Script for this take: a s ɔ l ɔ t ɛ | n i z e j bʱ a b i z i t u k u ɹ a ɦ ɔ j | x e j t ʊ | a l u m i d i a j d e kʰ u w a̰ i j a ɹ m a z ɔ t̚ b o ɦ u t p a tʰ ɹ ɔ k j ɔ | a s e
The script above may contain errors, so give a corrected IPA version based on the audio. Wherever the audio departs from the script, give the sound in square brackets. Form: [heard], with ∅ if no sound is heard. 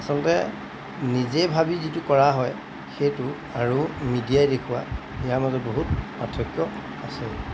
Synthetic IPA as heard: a s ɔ l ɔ t ɛ | n i z e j bʱ a b i z i t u k [ɔ] ɹ a ɦ ɔ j | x e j t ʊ | a [ɹ] u m i d i a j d e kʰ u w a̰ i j a ɹ m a z ɔ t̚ b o ɦ u t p a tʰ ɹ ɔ k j ɔ | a s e